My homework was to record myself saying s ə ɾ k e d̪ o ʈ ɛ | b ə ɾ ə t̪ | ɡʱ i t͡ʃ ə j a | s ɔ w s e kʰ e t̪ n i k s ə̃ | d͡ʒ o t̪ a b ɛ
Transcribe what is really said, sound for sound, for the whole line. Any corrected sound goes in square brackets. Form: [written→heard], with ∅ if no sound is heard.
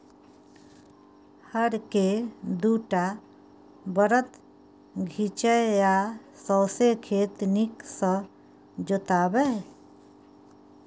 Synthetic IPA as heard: [s→h] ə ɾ k e d̪ [o→u] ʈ [ɛ→a] | b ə ɾ ə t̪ | ɡʱ i t͡ʃ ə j a | s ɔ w s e kʰ e t̪ n i k s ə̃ | d͡ʒ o t̪ a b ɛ